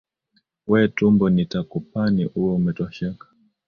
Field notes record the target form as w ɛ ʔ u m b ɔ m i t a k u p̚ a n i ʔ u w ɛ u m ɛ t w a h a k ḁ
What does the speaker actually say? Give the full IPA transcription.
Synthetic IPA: w ɛ t u m b ɔ n i t a k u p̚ a n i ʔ u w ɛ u m ɛ t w a ʃ a k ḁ

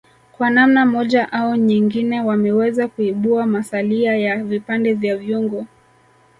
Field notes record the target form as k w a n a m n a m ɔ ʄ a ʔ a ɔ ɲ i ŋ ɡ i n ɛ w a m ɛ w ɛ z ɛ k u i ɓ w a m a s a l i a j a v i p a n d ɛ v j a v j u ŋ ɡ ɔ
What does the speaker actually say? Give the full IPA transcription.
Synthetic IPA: k w a n a m n a m ɔ ʄ a ʔ a ɔ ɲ i ŋ ɡ i n ɛ w a m ɛ w ɛ z a k u i ɓ u a m a s a l i a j a v i p a n d ɛ v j a v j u ŋ ɡ ɔ

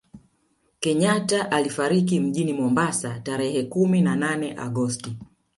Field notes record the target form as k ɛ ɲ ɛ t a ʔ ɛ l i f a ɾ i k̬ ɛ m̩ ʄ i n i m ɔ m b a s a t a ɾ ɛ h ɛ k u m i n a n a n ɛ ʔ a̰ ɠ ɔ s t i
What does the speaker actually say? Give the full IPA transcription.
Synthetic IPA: k ɛ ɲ a t a ʔ a l i f a ɾ i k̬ i m̩ ʄ i n i m ɔ m b a s a t a ɾ ɛ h ɛ k u m i n a n a n ɛ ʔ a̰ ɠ ɔ s t i

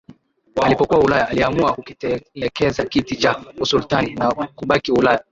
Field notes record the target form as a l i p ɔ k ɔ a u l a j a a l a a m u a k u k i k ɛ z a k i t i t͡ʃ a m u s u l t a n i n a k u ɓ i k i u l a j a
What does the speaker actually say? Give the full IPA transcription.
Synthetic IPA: a l i p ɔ k u a u l a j a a l i a m u a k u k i k ɛ z a k i t i t͡ʃ a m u s u l t a n i n a k u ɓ a k i u l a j a

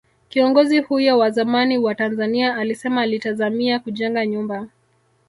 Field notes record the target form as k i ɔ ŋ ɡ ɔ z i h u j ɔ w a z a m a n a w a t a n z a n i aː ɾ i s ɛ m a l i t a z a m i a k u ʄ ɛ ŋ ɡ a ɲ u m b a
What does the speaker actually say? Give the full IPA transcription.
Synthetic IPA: k i ɔ ŋ ɡ ɔ z i h u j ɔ w a z a m a n i w a t a n z a n i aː l i s ɛ m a l i t a z a m i a k u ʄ ɛ ŋ ɡ a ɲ u m b a

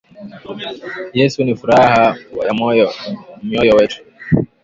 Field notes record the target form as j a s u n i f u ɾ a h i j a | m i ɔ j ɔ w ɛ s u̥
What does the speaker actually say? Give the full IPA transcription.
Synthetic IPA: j ɛ s u n i f u ɾ a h a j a | m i ɔ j ɔ w ɛ t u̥

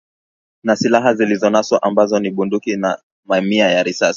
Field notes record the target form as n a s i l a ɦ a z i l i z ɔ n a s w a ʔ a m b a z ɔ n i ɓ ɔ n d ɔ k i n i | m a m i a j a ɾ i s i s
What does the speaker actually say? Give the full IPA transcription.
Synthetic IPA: n a s i l a ɦ a z i l i z ɔ n a s w a ʔ a m b a z ɔ n i ɓ u n d u k i n a | m a m i a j a ɾ i s a s

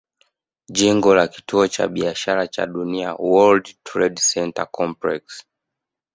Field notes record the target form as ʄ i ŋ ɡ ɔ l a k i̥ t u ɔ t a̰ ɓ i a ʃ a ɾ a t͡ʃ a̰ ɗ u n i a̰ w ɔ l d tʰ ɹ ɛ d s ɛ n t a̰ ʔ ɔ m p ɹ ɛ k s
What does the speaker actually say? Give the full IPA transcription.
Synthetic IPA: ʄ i ŋ ɡ ɔ l a k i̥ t u ɔ t͡ʃ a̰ ɓ i a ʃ a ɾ a t͡ʃ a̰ ɗ u n i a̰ w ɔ l d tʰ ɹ ɛ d s ɛ n t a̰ k ɔ m p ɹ ɛ k s

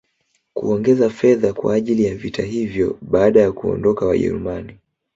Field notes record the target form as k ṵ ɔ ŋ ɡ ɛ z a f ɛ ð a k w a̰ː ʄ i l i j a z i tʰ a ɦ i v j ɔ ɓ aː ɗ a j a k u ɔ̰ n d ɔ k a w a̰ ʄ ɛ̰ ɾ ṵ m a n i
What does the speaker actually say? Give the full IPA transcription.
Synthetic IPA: k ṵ ɔ ŋ ɡ ɛ z a f ɛ ð a k w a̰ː ʄ i l i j a v i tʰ a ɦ i v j ɔ ɓ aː ɗ a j a k u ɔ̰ n d ɔ k a w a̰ ʄ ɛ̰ ɾ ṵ m a n i

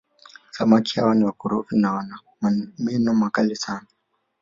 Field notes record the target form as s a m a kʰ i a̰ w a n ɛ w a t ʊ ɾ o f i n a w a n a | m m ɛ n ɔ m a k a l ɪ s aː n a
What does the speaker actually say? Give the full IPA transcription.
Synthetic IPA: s a m a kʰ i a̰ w a n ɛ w a k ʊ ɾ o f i n a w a n a | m m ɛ n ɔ m a k a l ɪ s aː n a

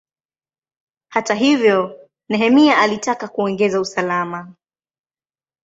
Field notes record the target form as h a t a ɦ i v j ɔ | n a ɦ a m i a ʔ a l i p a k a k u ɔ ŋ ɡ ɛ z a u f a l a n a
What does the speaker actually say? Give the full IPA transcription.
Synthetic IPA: h a t a ɦ i v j ɔ | n ɛ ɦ ɛ m i a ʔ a l i t a k a k u ɔ ŋ ɡ ɛ z a u s a l a m a

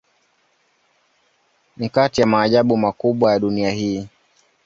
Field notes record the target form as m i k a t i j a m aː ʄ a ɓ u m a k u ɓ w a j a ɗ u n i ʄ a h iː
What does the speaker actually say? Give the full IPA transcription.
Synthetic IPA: n i k a t i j a m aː ʄ a ɓ u m a k u ɓ w a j a ɗ u n i a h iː

